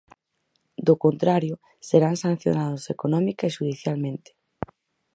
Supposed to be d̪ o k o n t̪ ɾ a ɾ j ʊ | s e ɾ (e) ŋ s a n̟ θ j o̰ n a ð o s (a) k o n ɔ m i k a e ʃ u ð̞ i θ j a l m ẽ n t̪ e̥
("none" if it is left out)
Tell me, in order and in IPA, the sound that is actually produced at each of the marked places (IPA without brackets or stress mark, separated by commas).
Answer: a, e